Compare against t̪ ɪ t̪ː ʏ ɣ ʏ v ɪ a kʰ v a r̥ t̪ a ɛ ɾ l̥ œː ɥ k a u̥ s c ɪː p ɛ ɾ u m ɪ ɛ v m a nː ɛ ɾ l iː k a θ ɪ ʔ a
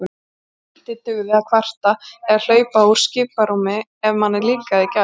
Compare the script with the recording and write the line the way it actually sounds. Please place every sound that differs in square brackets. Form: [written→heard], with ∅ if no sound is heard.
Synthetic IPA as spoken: t̪ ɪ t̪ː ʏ ɣ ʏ v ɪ a kʰ v a r̥ t̪ a ɛ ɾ l̥ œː ɥ [k→p] a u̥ s c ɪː p [ɛ→a] ɾ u m ɪ ɛ v m a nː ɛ ɾ l iː k a [θ→ð] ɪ [ʔ→c] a